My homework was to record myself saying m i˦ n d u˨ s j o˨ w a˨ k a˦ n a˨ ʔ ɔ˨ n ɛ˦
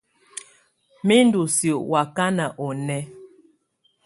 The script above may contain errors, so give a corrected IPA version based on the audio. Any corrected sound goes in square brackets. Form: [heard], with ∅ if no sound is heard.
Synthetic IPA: m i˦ n d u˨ s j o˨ w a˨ k a˦ n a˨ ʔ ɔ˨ n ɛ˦